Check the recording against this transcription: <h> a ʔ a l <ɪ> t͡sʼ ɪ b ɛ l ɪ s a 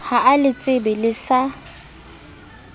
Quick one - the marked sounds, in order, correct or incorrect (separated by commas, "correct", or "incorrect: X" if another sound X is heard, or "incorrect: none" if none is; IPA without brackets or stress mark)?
correct, correct